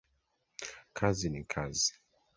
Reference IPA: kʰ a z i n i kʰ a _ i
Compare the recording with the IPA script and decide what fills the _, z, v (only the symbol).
z